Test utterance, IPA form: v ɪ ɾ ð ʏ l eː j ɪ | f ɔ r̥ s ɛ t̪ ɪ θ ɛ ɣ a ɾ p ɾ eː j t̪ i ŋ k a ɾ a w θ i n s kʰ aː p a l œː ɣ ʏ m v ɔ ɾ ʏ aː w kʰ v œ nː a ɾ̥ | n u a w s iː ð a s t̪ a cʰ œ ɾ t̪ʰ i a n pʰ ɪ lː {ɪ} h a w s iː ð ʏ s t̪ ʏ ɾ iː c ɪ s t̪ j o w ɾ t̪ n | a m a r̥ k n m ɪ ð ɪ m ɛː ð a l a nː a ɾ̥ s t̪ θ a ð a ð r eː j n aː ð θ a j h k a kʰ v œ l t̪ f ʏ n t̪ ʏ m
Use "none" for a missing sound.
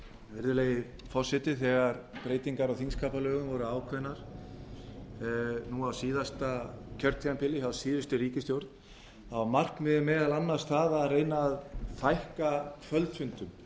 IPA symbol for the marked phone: ɪ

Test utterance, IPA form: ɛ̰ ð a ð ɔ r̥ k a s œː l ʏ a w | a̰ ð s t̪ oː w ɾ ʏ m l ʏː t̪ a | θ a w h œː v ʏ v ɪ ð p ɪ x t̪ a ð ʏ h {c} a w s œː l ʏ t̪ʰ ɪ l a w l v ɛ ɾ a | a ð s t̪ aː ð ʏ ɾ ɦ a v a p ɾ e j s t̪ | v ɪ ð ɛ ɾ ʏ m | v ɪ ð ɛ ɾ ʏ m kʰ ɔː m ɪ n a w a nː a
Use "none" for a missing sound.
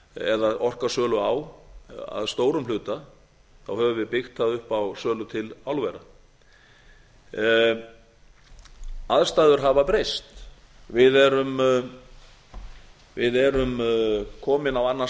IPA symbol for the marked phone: p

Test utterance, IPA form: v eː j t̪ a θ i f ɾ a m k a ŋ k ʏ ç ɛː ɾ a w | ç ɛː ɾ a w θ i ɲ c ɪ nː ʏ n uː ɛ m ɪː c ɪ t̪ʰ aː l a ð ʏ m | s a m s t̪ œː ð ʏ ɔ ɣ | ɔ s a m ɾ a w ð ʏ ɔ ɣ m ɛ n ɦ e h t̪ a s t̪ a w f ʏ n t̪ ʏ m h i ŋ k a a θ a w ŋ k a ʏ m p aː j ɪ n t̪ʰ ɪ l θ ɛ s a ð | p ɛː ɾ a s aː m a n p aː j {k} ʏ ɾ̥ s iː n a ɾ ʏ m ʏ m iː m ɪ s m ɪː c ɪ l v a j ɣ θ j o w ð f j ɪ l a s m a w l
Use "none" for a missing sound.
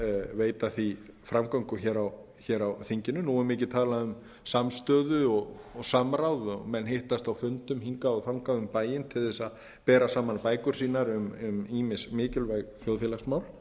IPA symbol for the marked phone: k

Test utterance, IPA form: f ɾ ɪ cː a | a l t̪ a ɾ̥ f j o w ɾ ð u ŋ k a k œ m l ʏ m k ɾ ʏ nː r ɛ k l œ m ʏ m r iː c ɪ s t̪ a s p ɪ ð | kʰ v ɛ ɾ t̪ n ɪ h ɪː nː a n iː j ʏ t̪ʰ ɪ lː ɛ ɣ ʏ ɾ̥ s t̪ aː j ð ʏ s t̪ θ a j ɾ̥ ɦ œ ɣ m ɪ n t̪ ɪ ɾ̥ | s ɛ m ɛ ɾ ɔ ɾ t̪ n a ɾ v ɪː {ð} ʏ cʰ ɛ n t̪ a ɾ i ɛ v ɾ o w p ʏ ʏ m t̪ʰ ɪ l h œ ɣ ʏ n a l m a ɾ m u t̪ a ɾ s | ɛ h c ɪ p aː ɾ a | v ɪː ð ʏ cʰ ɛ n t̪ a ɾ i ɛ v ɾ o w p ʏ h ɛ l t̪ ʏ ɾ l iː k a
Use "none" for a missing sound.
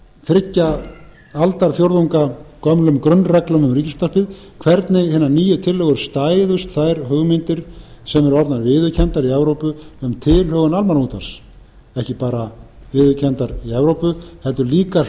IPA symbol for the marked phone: ð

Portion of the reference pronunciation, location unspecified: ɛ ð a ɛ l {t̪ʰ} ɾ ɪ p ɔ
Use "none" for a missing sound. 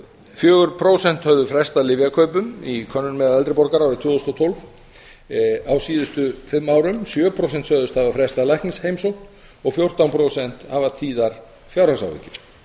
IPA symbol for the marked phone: t̪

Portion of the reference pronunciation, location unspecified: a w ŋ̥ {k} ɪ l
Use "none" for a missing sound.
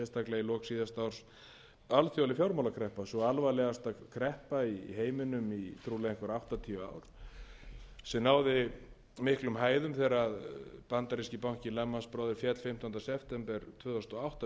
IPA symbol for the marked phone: c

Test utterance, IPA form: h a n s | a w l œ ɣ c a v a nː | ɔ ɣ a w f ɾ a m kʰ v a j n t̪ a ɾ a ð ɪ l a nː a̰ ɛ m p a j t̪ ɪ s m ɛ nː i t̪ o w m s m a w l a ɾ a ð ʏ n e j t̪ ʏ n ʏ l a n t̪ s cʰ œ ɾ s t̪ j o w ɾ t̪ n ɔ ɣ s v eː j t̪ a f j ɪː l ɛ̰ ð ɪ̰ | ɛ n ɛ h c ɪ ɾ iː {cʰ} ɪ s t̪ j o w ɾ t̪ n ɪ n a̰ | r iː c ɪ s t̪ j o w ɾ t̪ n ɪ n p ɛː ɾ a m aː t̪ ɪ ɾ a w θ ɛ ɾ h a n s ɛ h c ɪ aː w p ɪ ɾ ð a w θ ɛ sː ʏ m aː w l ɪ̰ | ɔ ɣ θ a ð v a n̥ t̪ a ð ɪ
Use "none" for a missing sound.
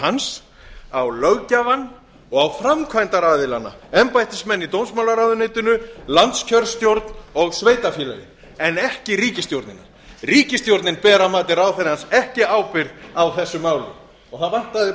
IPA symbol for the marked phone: c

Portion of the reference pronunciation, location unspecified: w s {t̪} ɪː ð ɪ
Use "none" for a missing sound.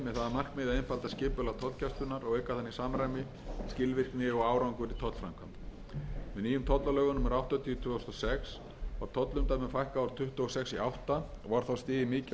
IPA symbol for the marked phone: t̪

